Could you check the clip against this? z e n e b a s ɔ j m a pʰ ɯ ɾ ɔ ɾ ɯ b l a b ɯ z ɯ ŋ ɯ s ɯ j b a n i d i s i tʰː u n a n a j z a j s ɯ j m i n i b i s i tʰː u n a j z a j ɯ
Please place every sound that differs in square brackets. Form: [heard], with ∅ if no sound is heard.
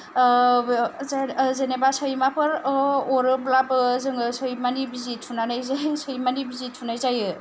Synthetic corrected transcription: z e n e b a s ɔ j m a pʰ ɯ ɾ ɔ ɾ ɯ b l a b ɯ z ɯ ŋ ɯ s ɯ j [m] a n i [b] i [z] i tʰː u n a n a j z a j s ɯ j m [a] n i b i [z] i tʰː u n a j z a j ɯ